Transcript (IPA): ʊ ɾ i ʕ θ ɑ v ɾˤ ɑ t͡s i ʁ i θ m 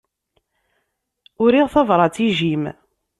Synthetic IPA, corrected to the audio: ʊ ɾ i ʁ θ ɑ v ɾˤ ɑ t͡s i ʒ i m